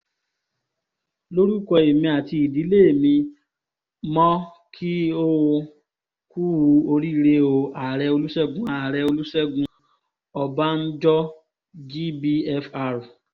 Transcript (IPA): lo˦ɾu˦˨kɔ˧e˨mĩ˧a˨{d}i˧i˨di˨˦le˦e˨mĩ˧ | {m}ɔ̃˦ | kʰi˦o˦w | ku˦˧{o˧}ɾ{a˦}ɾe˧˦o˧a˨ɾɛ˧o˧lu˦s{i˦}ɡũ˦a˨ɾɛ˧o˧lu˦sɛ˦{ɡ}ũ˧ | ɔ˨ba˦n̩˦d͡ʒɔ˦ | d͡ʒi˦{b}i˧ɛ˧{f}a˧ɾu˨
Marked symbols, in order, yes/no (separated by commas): no, yes, yes, no, no, yes, yes, yes